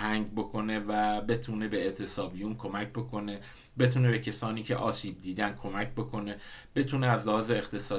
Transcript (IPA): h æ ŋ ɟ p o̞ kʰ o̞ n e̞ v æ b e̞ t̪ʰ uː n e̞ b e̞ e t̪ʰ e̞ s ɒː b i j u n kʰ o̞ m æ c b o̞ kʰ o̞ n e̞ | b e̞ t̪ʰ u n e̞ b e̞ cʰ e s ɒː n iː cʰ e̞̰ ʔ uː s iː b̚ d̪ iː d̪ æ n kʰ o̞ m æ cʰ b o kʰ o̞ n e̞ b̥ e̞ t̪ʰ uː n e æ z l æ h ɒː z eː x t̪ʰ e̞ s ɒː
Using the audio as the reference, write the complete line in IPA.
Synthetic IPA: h æ ŋ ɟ b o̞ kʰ o̞ n e̞ v æ b e̞ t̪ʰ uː n e̞ b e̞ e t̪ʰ e̞ s ɒː b i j u n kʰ o̞ m æ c b o̞ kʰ o̞ n e̞ | b e̞ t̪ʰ u n e̞ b e̞ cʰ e s ɒː n iː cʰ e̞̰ ʔ ɒː s iː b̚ d̪ iː d̪ æ n kʰ o̞ m æ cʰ b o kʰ o̞ n e̞ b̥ e̞ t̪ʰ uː n e æ z l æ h ɒː z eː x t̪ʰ e̞ s ɒː